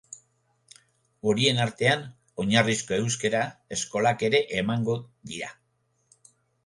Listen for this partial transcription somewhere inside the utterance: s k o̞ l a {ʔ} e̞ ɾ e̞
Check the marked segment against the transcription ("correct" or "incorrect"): incorrect